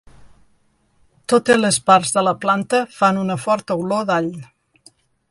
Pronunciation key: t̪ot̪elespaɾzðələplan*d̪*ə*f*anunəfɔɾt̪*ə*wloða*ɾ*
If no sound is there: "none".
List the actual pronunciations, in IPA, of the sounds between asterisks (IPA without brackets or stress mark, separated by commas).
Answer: t̪, f, ə, ʎ